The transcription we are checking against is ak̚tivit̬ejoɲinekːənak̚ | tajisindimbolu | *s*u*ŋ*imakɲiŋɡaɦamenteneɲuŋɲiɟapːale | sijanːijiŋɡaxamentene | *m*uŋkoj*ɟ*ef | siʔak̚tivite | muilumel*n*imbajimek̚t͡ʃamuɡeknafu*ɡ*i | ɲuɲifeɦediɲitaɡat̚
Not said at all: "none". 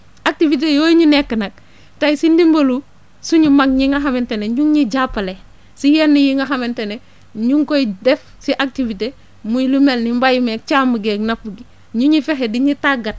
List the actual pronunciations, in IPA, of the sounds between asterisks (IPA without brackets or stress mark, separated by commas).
s, ɲ, ɲ, d, n, ɡ